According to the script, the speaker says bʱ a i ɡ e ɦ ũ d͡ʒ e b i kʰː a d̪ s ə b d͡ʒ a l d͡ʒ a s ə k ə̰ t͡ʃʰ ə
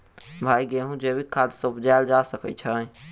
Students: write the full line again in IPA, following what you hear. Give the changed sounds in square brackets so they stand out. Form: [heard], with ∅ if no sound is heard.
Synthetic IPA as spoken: bʱ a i ɡ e ɦ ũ d͡ʒ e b i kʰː a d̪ s ə b d͡ʒ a l d͡ʒ a s ə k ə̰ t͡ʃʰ ə